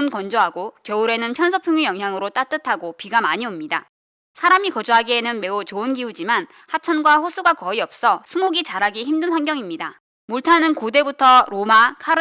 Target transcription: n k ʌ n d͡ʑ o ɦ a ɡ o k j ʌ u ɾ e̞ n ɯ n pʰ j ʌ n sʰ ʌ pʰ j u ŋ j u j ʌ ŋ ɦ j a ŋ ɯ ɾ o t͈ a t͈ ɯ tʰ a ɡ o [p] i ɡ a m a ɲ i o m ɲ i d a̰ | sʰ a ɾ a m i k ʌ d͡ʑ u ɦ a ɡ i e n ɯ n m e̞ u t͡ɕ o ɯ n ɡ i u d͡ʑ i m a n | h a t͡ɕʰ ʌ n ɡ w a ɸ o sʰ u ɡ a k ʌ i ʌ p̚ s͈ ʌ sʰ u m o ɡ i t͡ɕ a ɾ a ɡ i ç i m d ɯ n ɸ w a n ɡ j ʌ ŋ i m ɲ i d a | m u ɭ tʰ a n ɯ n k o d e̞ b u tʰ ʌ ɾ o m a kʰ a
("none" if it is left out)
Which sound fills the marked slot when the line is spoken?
p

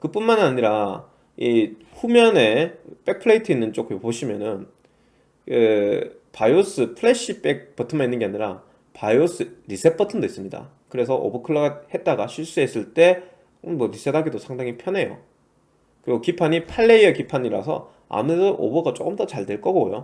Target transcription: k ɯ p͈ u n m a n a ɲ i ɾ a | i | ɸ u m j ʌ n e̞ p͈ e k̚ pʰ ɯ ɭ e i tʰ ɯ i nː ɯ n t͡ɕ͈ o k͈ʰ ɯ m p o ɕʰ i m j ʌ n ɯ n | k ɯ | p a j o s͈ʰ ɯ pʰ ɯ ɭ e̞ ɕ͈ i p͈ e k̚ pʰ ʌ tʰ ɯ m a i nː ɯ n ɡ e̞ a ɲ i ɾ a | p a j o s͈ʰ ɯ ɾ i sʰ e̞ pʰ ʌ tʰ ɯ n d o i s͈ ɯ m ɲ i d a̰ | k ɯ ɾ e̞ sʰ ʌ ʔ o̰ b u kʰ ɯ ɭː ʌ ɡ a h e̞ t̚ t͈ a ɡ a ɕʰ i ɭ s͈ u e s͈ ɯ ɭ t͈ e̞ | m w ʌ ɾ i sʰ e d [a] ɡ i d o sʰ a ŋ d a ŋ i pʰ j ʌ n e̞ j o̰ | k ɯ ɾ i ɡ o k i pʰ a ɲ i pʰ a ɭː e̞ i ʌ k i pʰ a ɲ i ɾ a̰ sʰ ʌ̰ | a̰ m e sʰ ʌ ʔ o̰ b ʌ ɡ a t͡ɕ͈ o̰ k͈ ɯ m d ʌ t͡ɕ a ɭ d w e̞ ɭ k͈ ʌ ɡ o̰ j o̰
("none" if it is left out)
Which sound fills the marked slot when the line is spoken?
a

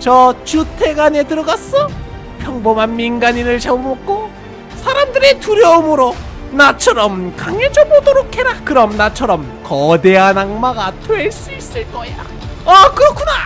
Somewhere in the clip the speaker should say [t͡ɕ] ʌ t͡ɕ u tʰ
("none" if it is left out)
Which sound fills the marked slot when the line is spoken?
t͡ɕ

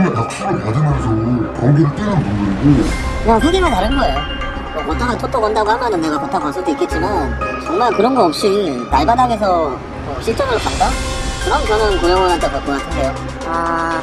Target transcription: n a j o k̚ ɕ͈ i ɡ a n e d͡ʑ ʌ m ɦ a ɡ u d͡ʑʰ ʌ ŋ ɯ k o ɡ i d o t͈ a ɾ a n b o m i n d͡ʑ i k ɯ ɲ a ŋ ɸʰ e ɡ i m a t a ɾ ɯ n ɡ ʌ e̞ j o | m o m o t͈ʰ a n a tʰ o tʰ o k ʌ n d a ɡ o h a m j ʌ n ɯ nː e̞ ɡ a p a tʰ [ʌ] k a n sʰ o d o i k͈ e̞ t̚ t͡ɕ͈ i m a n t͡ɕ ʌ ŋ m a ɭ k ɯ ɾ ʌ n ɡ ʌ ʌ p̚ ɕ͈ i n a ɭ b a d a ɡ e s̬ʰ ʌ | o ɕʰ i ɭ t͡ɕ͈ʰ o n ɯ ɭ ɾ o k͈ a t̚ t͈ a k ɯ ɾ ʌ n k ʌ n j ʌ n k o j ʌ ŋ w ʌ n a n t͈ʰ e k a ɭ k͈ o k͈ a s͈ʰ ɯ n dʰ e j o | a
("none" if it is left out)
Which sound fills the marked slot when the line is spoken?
a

